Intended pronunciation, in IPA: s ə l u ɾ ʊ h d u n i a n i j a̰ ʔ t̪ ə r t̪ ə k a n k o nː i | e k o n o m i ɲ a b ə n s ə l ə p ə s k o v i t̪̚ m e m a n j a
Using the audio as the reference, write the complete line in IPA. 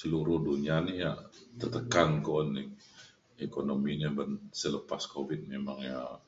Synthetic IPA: s ə l u ɾ ʊ h d u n i a n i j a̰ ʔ t̪ ə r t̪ ə k a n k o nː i | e k o n o m i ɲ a b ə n s ə l ə p a s k o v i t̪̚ m e m a ŋ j a